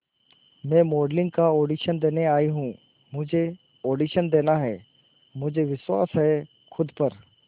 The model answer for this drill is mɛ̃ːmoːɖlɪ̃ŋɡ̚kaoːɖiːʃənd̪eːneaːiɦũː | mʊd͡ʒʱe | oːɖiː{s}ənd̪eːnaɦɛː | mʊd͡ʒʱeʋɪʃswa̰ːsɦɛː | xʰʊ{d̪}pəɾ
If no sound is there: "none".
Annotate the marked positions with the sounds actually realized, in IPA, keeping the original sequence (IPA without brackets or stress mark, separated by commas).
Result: ʃ, d̪